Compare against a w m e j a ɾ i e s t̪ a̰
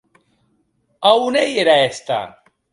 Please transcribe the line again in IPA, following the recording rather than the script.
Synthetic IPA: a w n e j e ɾ a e s t̪ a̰

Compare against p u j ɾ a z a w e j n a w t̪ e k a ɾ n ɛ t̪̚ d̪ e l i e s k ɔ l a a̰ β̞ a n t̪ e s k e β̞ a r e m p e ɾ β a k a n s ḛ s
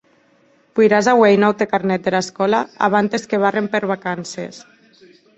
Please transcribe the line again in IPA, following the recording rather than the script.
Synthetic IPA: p u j ɾ a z a w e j n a w t̪ e k a ɾ n ɛ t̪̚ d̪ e l a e s k ɔ l a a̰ β̞ a n t̪ e s k e β̞ a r e m p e ɾ β a k a n s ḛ s

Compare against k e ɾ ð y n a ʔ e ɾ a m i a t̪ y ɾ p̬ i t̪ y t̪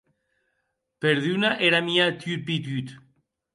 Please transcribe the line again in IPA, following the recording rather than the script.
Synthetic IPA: p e ɾ ð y n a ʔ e ɾ a m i a t̪ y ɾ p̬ i t̪ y t̪

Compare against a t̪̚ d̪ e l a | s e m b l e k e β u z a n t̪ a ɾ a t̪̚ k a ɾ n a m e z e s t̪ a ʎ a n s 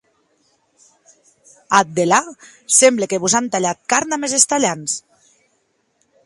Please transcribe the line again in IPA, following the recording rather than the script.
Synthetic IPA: a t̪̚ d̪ e l a | s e m b l e k e β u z a n t̪ a ʎ a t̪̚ k a ɾ n a m e z e s t̪ a ʎ a n s

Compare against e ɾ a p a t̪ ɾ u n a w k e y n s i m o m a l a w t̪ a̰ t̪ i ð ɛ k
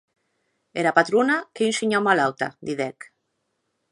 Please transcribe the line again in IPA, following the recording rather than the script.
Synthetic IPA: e ɾ a p a t̪ ɾ u n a k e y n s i ɲ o m a l a w t̪ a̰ d̪ i ð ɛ k

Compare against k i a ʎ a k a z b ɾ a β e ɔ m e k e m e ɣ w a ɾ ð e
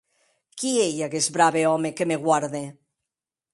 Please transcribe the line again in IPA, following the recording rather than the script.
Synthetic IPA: k i e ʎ a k e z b ɾ a β e ɔ m e k e m e ɣ w a ɾ ð e

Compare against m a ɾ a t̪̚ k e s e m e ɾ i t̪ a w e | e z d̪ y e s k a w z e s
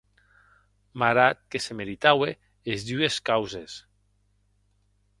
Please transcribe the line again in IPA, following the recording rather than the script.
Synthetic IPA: m a ɾ a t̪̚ k e s e m e ɾ i t̪ a w e | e z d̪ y e s k a w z e s

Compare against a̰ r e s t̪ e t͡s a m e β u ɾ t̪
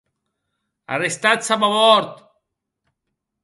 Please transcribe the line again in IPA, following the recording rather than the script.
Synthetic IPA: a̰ r e s t̪ a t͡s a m a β ɔ ɾ t̪

